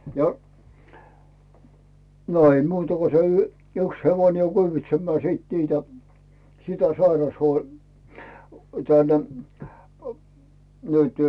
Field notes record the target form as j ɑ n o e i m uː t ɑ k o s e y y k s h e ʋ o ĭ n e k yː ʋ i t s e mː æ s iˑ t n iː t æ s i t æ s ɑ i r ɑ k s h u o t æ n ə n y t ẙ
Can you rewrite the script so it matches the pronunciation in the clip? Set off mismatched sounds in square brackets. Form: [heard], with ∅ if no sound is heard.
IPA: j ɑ n o e i m uː t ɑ k o s e y y k s h e ʋ o ĭ n e k yː ʋ i t s e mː [æː] s iˑ t n iː t æ s i t æ s ɑ i r ɑ [∅] s h u o t æ n ə n y t ẙ